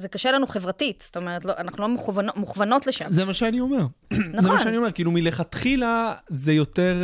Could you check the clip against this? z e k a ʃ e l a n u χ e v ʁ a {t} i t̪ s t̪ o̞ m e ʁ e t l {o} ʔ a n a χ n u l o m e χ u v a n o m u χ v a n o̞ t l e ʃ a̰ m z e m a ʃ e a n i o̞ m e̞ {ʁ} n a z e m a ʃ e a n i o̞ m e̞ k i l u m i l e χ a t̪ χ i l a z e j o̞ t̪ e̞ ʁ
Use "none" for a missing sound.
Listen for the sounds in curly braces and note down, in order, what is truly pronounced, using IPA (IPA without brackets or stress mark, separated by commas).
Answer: t, o, ʁ